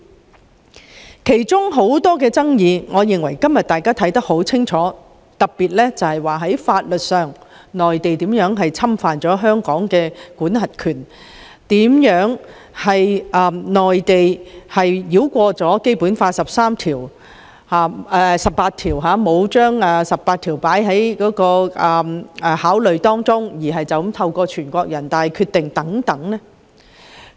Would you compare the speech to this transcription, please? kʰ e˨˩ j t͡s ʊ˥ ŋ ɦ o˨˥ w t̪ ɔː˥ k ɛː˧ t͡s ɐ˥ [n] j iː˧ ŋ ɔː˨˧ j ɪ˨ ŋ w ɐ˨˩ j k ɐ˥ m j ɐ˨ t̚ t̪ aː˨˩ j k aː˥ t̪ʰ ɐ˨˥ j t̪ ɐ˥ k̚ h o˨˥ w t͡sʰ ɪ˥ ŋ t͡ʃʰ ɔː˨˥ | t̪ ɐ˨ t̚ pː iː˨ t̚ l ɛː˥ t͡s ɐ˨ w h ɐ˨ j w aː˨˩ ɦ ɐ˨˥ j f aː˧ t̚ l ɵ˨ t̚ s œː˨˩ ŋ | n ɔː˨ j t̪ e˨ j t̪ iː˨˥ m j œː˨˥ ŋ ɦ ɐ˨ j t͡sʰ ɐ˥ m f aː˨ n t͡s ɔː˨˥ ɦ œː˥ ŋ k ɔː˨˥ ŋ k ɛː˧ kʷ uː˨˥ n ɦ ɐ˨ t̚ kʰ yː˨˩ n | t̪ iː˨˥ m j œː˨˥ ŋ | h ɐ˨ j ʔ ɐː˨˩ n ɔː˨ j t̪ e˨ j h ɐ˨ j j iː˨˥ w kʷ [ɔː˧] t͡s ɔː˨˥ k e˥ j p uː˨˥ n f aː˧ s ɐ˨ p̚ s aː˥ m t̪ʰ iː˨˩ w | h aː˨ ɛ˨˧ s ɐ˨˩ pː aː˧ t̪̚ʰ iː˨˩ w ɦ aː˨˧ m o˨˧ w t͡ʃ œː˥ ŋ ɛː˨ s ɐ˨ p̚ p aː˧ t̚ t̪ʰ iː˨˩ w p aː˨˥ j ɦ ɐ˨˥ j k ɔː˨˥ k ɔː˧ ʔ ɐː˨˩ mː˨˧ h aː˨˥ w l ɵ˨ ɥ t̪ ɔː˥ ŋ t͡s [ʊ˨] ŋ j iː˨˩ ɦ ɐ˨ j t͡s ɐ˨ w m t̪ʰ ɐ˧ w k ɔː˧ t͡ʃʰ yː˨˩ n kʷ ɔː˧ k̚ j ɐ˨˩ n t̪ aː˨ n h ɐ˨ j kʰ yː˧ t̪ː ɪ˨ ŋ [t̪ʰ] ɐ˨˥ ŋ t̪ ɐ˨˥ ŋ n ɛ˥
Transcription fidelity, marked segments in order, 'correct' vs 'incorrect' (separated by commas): incorrect, correct, incorrect, incorrect